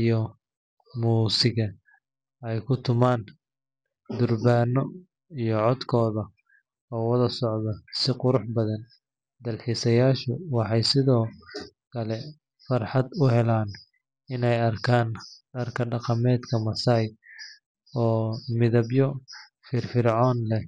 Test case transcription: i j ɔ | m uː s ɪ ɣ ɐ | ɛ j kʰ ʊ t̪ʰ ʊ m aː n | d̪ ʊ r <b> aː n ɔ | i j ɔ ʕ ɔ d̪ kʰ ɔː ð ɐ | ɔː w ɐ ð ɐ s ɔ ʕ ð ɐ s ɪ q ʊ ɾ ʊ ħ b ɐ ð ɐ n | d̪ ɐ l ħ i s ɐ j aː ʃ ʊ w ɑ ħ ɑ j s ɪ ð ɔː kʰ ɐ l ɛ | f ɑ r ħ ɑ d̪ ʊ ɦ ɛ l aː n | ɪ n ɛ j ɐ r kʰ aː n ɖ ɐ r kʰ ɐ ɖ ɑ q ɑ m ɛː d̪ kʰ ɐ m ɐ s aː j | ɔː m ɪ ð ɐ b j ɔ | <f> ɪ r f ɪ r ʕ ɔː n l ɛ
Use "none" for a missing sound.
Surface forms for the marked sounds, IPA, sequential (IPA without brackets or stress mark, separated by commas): b, f